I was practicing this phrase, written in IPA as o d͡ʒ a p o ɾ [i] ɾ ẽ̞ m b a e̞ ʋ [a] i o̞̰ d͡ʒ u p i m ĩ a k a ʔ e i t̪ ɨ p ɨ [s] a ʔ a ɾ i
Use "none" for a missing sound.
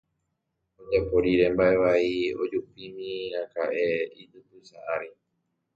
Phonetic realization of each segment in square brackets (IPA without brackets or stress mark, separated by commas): i, a, s